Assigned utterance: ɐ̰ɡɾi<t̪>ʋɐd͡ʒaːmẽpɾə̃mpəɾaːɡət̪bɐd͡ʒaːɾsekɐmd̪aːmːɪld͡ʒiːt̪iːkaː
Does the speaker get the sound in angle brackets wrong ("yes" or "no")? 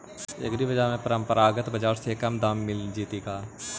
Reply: yes